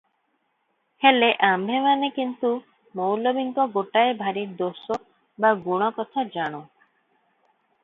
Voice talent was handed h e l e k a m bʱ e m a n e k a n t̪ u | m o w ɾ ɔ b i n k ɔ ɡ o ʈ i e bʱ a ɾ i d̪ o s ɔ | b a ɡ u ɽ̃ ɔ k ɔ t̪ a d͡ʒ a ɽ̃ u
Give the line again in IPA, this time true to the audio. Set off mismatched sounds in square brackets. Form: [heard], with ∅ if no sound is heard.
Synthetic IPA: h e l e [ʔ] a m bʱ e m a n e k [i] n t̪ u | m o w [l] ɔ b i [ŋ] k ɔ ɡ o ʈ [a] e bʱ a ɾ i d̪ o s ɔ | b a ɡ u ɽ̃ ɔ k ɔ [t̪ʰ] a d͡ʒ a ɽ̃ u